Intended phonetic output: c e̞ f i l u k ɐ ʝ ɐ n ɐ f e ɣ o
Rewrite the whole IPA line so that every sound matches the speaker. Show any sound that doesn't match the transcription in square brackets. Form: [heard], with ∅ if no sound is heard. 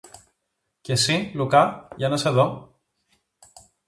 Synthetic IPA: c e̞ [s] i l u k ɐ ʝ ɐ n ɐ [s] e [ð] o